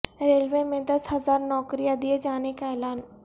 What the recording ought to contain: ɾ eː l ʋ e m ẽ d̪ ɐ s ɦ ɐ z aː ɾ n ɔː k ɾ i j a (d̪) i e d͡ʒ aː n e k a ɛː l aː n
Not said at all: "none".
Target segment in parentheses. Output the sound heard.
d̪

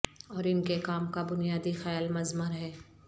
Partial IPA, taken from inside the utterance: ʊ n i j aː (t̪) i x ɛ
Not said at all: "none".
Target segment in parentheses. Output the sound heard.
d̪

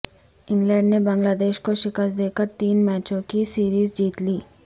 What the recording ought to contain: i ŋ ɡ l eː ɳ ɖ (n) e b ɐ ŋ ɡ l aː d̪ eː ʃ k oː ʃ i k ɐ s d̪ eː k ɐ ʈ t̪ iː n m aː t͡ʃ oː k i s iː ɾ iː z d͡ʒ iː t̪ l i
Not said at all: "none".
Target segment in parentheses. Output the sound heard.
n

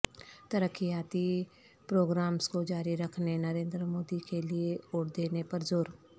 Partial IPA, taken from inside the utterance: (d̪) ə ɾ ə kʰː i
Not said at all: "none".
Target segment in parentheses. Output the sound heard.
t̪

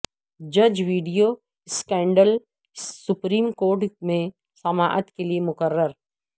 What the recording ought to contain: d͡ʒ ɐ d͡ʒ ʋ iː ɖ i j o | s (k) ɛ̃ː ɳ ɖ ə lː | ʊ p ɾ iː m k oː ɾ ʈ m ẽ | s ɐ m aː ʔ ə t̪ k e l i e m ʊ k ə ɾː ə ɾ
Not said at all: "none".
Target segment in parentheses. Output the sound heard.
k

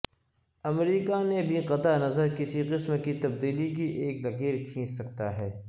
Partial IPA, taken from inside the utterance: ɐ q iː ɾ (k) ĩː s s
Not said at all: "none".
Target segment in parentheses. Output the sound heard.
kʰ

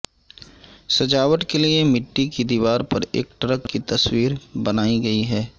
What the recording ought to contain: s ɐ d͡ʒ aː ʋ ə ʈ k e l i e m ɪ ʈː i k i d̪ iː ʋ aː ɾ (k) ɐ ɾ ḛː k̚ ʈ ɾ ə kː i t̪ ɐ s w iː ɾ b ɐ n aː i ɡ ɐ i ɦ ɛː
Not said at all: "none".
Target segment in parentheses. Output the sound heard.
p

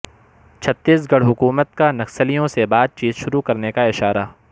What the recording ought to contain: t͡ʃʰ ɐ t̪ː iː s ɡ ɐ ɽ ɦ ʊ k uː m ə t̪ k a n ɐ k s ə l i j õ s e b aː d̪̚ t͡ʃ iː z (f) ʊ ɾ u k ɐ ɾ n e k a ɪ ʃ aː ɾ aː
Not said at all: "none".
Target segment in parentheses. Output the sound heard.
ʃ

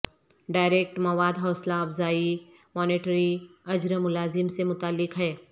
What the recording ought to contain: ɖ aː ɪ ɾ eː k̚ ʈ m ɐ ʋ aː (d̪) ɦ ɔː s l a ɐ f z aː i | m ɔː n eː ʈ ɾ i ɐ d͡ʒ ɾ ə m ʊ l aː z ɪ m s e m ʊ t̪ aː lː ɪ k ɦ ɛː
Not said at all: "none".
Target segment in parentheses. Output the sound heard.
d̪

